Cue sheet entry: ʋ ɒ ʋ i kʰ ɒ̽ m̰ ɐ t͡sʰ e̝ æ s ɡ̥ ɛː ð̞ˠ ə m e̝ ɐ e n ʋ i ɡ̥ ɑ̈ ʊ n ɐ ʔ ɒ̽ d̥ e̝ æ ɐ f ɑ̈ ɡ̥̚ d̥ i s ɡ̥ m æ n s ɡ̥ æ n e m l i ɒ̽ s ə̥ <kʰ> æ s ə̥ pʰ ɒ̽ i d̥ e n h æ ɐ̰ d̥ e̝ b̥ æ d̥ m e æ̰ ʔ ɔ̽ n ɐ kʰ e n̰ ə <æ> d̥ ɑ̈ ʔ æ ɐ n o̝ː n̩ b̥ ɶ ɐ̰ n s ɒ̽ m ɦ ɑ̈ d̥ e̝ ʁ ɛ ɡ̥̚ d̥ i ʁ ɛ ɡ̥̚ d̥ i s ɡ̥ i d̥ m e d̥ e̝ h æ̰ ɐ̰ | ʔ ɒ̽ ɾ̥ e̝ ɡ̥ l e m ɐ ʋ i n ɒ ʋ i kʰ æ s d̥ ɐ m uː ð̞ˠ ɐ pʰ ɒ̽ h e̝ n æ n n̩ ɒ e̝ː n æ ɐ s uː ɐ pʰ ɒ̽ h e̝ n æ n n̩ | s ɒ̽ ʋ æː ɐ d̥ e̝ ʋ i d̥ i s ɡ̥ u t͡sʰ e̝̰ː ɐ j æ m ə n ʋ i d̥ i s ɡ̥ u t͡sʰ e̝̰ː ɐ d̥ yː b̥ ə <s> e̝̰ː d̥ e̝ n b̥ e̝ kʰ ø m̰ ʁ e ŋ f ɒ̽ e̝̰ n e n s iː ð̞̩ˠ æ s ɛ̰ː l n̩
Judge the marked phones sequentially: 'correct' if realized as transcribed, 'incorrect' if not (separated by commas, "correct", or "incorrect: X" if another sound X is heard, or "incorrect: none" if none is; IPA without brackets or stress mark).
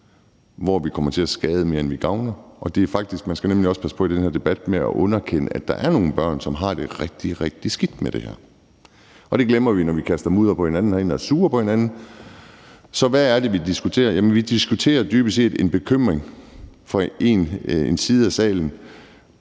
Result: incorrect: pʰ, correct, correct